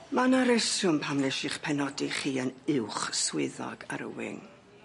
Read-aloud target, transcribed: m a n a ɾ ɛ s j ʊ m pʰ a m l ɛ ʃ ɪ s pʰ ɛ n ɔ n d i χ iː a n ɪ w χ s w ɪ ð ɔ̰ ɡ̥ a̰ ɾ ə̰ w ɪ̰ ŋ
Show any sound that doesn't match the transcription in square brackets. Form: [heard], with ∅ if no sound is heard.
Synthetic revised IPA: m a n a ɾ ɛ s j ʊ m pʰ a m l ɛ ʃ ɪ [χ] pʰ ɛ n ɔ [∅] d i χ iː [ə] n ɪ w χ s w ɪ ð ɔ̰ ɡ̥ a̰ ɾ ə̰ w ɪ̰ ŋ